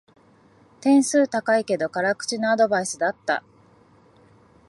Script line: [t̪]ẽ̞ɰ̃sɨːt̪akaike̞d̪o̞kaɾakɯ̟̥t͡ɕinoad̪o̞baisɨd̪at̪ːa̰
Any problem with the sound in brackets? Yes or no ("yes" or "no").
no